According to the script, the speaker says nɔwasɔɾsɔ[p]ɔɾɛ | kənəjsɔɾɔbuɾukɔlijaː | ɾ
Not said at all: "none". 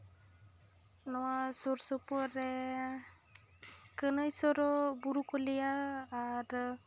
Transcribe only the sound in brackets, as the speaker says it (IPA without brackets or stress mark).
p